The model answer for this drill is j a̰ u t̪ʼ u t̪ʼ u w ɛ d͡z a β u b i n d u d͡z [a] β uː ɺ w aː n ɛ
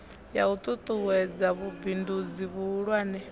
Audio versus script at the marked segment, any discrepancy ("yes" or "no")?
yes